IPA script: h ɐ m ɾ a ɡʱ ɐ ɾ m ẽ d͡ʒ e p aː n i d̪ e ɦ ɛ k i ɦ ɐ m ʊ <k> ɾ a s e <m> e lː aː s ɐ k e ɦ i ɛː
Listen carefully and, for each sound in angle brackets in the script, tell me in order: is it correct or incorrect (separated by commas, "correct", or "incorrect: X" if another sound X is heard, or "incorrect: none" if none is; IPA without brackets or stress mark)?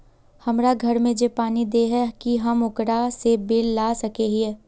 correct, incorrect: b